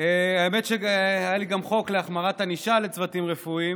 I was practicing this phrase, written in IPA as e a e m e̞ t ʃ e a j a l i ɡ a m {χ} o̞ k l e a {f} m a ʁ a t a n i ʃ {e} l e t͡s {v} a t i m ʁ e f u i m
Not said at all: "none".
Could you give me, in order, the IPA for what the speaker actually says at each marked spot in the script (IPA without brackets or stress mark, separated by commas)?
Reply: χ, χ, a, v